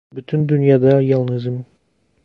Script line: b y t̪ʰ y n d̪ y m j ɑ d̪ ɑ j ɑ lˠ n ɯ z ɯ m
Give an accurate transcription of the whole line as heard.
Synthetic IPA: b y t̪ʰ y n d̪ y n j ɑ d̪ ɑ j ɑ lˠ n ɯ z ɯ m